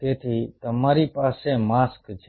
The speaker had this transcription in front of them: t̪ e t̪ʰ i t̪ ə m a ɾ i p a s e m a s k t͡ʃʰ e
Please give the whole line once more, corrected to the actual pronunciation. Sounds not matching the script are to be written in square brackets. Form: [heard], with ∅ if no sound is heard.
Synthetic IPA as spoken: t̪ e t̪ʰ i t̪ ə m a ɾ i p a s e m a s k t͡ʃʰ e